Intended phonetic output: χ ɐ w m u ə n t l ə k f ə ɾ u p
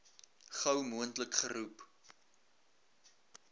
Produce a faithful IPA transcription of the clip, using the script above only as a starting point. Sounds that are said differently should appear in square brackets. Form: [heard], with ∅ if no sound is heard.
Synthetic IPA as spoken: χ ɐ w m u ə n t l ə k [χ] ə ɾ u p